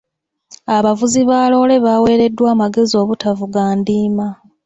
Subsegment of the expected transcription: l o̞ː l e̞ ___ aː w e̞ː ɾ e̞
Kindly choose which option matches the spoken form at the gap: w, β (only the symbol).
β